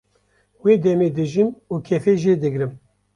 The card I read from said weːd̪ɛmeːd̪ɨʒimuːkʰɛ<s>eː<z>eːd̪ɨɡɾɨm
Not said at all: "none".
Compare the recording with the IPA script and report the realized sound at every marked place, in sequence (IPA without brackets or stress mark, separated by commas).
f, ʒ